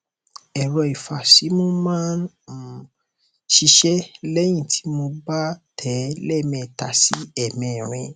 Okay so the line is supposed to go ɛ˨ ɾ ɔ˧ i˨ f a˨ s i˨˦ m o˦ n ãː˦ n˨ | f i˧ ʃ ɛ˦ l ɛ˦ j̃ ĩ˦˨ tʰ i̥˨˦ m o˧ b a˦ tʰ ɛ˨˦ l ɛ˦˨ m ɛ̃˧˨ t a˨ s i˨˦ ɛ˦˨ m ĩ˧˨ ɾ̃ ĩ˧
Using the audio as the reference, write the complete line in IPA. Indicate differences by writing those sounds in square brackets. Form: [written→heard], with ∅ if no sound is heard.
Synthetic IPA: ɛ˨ ɾ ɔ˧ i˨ f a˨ s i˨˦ m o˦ [n→m] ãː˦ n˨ | [f→ʃ] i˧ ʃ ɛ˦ l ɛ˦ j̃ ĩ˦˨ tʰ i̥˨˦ m o˧ b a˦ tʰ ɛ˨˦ l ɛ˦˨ m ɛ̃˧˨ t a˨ s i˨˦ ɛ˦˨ m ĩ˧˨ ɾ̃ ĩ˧